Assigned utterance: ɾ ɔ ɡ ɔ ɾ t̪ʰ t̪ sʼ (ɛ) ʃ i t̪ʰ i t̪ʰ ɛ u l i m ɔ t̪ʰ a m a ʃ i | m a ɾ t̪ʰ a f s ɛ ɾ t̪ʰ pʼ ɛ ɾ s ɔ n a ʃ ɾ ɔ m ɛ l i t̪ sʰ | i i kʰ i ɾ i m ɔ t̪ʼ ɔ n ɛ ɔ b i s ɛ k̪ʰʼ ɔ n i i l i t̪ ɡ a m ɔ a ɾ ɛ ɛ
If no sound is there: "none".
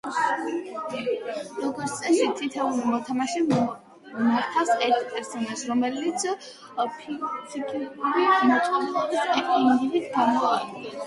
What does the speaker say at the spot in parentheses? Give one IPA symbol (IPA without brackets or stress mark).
ɛ